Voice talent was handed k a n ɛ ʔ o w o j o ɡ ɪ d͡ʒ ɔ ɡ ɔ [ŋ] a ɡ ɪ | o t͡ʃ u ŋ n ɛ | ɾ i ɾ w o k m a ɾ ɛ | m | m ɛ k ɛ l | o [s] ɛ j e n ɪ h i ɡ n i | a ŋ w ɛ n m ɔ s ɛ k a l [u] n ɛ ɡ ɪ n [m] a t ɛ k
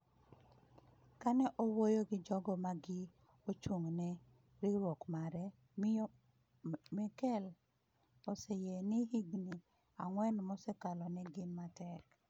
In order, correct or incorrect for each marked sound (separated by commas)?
incorrect, correct, incorrect, correct